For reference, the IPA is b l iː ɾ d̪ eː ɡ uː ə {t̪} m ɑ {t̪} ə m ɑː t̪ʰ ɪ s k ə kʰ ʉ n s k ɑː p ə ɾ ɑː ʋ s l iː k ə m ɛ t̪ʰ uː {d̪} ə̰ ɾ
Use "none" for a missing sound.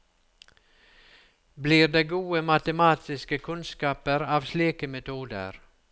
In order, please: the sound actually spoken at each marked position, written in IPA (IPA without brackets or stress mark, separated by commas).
none, t̪, d̪